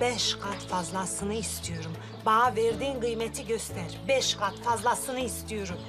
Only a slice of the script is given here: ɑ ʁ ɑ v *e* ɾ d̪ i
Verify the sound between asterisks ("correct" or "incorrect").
correct